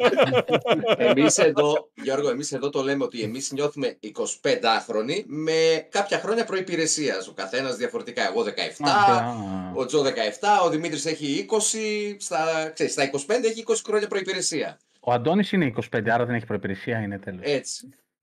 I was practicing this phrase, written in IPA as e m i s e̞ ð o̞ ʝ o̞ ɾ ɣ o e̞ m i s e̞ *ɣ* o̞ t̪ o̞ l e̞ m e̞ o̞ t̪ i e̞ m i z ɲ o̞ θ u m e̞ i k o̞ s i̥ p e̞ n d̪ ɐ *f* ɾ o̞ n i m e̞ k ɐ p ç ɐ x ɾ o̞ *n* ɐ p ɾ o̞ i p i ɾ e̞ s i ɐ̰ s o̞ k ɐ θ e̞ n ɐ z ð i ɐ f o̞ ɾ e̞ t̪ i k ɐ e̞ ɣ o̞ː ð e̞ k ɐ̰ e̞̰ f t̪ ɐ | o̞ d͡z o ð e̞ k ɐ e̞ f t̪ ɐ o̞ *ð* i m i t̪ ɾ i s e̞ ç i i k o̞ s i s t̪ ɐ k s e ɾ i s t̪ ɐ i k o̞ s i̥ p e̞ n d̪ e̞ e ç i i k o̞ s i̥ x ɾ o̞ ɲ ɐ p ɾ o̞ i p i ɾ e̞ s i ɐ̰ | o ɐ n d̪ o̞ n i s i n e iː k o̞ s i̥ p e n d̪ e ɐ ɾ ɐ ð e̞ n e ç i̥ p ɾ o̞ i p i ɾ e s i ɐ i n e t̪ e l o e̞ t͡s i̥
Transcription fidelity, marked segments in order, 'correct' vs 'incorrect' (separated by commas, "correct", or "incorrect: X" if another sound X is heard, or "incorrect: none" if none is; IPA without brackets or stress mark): incorrect: ð, incorrect: x, incorrect: ɲ, correct